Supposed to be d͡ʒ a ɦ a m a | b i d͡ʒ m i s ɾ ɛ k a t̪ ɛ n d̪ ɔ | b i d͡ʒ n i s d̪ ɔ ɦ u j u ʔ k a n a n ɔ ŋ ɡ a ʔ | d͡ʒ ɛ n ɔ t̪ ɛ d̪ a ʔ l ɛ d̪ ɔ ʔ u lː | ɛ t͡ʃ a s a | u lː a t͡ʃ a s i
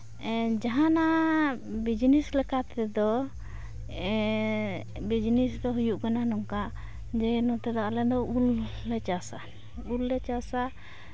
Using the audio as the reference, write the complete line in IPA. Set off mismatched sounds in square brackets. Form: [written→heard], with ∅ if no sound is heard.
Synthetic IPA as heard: d͡ʒ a ɦ a [m→n] a | b i d͡ʒ [m→n] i s [ɾ→l] ɛ k a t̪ ɛ [n→∅] d̪ ɔ | b i d͡ʒ n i s d̪ ɔ ɦ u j u ʔ k a n a n ɔ ŋ [ɡ→k] a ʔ | d͡ʒ ɛ n ɔ t̪ ɛ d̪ a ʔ l ɛ d̪ ɔ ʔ u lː | ɛ t͡ʃ a s a | u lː [a→ɛ] t͡ʃ a s [i→a]